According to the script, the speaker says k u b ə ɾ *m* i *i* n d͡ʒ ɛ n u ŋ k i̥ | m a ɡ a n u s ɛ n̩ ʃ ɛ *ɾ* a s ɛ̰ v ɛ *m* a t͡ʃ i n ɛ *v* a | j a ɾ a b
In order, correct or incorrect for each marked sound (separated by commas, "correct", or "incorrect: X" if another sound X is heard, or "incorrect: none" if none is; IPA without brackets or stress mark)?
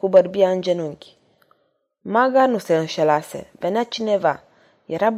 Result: incorrect: b, incorrect: a, incorrect: l, incorrect: n, correct